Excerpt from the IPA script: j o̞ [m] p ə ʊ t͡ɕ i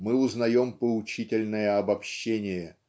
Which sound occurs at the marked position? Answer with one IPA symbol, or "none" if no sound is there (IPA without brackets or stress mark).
m